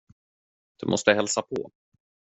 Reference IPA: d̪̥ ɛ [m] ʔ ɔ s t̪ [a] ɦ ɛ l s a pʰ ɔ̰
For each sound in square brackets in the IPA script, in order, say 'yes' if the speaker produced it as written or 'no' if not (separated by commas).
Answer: yes, no